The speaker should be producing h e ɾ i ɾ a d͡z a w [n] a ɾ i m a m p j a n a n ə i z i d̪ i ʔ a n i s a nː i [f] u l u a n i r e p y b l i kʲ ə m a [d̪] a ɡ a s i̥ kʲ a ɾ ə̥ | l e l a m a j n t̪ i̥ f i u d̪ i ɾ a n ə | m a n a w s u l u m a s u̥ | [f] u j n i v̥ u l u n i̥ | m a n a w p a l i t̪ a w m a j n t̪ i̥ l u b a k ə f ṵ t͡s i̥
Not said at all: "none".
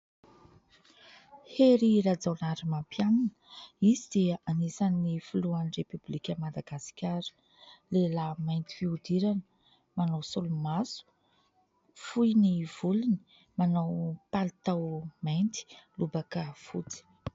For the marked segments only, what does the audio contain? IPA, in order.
n, f, d̪, f

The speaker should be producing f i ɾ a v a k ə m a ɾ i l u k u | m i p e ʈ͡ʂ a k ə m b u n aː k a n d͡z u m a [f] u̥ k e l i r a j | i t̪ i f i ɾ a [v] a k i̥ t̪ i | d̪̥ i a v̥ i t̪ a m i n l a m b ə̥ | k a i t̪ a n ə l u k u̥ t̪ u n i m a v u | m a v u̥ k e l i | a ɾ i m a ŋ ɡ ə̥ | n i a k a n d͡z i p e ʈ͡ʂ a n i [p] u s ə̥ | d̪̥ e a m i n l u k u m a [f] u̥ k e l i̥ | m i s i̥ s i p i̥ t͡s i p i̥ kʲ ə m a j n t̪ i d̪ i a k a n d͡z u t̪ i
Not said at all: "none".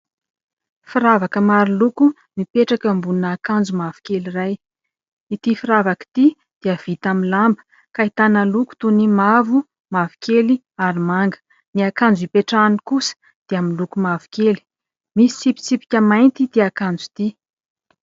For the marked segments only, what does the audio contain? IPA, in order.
v, v, k, v

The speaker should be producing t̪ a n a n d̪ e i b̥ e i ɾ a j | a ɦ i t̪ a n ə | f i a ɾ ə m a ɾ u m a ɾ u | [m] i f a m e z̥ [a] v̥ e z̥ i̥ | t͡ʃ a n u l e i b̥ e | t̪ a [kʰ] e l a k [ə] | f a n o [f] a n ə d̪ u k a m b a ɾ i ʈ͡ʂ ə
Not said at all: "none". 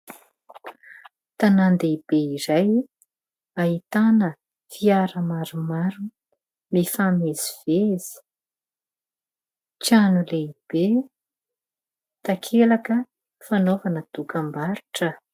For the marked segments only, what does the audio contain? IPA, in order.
m, i, kʰ, ə, v

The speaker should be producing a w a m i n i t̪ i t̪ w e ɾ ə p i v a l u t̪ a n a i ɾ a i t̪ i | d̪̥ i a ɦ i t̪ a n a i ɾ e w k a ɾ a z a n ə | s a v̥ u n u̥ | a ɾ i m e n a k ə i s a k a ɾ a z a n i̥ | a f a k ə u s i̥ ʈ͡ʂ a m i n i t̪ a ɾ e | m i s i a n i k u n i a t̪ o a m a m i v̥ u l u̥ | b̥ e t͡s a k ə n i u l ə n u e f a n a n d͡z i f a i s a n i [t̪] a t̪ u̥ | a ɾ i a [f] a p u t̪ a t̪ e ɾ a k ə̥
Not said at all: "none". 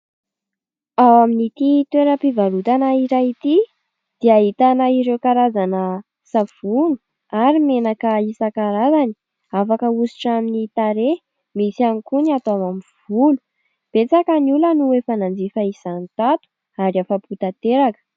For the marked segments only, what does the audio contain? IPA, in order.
t̪, f

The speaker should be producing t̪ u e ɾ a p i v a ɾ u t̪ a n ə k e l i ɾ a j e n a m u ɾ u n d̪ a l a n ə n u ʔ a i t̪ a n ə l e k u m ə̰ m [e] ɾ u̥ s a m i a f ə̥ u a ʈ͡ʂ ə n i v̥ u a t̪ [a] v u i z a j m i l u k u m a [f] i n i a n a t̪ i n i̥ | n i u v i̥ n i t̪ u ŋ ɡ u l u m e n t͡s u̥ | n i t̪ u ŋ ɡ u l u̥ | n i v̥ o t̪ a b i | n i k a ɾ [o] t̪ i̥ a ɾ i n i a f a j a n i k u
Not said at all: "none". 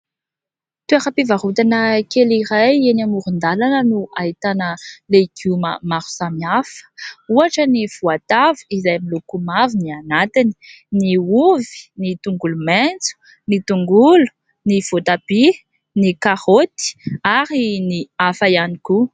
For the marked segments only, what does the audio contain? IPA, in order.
a, a, v, o

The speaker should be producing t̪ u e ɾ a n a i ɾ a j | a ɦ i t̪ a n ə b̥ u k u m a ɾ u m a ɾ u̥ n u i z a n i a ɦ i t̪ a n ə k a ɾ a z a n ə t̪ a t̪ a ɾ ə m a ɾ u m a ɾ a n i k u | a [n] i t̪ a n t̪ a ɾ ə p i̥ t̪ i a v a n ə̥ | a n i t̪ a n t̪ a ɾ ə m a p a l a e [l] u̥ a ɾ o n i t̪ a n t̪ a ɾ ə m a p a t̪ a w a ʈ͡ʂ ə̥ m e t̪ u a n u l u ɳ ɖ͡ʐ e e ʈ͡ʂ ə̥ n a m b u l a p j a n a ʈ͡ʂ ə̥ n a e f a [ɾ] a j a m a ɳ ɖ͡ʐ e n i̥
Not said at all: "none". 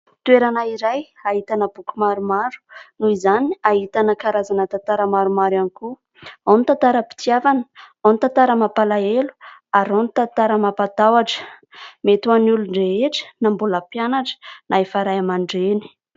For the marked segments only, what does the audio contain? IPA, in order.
n, l, ɾ

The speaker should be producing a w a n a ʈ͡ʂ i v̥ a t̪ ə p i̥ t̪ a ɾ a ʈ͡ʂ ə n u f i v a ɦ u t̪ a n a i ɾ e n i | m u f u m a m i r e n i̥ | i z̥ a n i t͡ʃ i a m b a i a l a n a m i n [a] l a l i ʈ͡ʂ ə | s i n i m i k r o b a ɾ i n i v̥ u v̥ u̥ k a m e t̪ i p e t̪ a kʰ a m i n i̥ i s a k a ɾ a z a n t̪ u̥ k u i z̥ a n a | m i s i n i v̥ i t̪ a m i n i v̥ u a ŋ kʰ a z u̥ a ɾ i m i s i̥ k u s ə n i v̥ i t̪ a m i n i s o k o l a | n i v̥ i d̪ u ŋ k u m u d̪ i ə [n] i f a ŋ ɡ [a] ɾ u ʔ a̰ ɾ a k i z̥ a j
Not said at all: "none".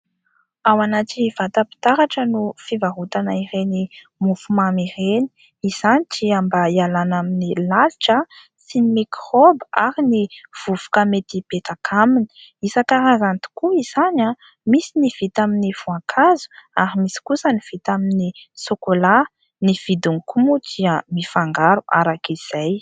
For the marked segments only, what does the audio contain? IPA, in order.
i, m, a

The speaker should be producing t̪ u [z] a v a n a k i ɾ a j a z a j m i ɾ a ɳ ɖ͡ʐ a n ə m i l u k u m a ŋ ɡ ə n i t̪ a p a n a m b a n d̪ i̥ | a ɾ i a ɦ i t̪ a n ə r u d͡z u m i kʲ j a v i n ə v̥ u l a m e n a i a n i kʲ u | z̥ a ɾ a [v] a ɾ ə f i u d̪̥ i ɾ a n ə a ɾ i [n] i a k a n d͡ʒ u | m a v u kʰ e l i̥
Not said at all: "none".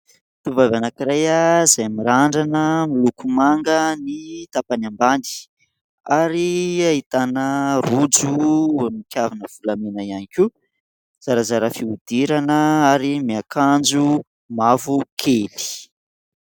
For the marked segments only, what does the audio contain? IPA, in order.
v, z, m

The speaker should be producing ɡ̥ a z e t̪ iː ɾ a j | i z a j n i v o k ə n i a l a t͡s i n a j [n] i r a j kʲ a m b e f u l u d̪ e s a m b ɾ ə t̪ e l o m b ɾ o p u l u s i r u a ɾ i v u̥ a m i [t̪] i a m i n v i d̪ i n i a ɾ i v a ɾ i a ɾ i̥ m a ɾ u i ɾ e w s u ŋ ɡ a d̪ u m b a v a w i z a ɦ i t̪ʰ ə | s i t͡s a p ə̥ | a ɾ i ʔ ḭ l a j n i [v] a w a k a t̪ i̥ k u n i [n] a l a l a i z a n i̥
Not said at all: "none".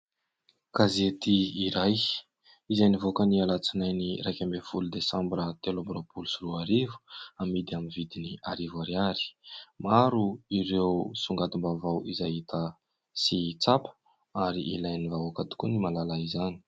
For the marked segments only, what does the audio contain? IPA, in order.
n, d̪, v, m

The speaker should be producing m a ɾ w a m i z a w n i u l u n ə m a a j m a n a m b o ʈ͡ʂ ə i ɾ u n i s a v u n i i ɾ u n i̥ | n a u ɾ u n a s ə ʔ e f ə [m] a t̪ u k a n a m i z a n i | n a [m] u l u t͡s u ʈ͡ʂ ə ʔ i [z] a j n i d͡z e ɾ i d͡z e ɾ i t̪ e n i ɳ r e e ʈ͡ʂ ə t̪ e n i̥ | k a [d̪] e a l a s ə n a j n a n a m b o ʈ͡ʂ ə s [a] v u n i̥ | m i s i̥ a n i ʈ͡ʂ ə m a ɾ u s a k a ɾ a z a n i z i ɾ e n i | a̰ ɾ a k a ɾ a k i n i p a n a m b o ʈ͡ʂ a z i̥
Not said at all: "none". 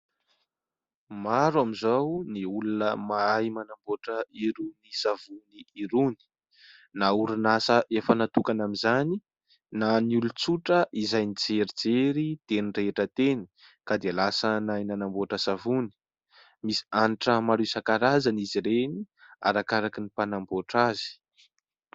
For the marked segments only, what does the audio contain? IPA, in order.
n, n, z, d̪, a

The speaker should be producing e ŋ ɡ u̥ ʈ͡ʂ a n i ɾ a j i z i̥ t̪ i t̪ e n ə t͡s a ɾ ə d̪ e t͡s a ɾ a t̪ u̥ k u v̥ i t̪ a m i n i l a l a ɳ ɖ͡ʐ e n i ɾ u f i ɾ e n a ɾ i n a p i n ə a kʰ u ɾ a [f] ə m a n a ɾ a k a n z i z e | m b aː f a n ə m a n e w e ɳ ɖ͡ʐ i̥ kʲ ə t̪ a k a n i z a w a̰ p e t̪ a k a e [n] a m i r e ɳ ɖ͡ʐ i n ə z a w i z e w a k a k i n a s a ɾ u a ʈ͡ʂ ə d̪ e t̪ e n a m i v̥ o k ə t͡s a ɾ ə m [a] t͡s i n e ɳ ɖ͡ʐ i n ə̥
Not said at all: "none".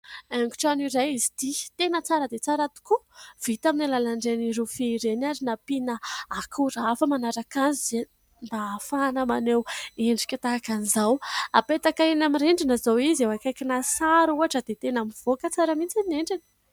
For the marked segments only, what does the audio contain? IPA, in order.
f, n, i

